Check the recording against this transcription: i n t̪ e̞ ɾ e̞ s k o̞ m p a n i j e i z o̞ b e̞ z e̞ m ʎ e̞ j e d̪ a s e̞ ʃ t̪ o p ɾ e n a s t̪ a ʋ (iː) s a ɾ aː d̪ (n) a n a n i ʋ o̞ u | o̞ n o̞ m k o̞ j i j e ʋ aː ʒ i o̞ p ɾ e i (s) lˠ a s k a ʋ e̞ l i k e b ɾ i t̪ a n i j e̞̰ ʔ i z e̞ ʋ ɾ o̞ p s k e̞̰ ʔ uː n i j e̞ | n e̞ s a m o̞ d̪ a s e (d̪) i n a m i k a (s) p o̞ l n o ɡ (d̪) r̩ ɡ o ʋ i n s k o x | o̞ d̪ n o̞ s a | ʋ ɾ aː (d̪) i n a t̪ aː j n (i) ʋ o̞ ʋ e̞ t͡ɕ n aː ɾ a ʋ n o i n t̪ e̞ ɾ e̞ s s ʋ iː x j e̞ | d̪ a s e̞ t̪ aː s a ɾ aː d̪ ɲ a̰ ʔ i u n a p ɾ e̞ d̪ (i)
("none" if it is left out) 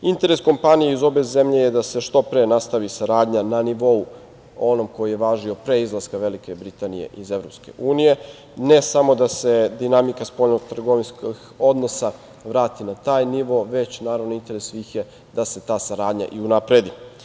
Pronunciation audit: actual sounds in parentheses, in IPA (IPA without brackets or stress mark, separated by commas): i, ɲ, z, d̪, s, t̪, t̪, i, i